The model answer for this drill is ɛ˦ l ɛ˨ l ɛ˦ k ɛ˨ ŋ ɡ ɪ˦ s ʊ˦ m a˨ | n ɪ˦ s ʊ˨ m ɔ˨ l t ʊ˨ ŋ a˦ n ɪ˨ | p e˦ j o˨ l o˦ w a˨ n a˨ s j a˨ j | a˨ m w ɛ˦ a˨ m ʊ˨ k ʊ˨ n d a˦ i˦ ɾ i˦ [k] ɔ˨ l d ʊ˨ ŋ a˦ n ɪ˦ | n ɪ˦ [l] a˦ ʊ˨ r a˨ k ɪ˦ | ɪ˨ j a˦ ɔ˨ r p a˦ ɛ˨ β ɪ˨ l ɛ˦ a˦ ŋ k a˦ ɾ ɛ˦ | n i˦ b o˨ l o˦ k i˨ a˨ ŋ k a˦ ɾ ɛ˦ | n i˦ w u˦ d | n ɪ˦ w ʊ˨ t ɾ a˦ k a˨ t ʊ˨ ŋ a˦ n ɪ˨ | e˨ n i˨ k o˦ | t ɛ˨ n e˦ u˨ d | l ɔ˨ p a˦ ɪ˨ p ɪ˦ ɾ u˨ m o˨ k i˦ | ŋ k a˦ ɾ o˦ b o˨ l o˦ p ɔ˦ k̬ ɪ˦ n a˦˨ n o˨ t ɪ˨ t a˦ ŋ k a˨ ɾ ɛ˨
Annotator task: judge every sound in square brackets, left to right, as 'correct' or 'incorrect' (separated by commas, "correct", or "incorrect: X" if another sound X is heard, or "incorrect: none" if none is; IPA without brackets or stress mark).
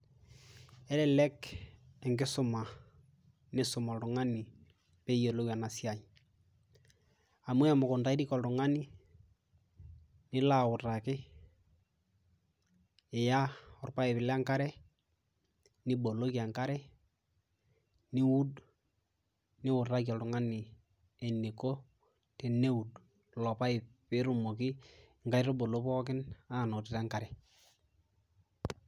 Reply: correct, correct